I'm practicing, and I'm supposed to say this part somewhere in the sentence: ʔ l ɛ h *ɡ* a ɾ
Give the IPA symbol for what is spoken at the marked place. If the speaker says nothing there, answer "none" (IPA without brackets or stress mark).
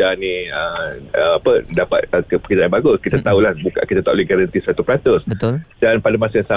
ɡ